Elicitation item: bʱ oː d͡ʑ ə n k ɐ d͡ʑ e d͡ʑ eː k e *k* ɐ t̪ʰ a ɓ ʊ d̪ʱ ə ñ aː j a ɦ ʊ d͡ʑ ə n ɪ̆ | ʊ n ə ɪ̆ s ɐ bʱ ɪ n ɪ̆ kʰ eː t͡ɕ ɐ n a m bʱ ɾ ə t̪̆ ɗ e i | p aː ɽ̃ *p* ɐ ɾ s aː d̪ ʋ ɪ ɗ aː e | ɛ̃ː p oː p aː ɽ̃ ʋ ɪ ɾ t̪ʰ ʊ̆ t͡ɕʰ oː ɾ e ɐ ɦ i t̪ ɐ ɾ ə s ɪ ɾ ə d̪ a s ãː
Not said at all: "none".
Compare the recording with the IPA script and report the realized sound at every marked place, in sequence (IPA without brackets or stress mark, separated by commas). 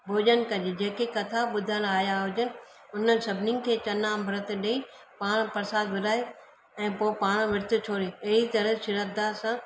k, p